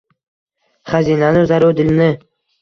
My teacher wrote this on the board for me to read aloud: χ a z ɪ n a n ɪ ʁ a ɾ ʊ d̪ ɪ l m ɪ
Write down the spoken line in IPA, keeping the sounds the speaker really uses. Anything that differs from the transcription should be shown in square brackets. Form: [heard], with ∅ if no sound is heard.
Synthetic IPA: χ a z [i] n a n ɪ [z] a ɾ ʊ d̪ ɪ l [n] ɪ